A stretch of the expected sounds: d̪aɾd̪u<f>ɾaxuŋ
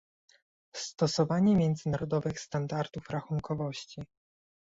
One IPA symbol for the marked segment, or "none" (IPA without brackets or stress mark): f